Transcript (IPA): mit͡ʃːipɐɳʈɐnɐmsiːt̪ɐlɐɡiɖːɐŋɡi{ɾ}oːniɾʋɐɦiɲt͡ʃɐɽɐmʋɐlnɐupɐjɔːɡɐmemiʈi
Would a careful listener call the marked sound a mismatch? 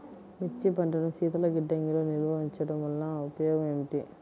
yes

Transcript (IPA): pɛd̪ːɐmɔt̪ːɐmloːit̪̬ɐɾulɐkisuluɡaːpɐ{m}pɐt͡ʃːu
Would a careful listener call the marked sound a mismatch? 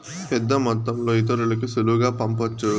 no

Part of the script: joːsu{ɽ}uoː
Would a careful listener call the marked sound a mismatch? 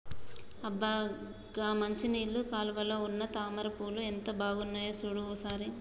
no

